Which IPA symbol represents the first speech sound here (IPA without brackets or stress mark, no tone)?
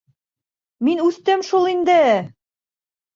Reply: m